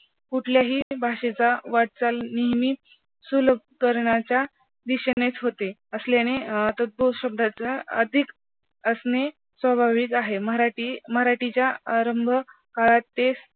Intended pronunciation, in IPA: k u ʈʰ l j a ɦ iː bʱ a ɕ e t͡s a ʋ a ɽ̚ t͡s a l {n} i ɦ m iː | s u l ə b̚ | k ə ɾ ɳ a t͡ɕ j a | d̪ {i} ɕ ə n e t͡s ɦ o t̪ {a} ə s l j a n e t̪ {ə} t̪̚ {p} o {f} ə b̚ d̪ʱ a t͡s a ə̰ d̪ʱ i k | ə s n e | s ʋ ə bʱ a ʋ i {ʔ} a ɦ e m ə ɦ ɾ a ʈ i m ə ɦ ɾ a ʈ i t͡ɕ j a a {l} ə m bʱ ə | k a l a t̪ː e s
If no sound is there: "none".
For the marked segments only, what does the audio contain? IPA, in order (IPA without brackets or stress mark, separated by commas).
n, i, e, ə, b, ɕ, k, ɾ